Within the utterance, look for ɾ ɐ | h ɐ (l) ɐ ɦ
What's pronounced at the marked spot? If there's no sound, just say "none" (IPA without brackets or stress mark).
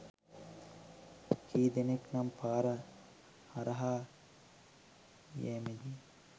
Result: ɾ